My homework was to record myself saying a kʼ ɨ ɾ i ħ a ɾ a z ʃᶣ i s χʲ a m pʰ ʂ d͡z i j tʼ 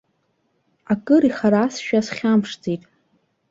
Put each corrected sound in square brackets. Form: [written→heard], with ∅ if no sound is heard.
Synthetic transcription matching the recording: a kʼ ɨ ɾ i [ħ→χ] a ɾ a [z→s] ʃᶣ [i→a] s χʲ a m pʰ ʂ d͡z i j tʼ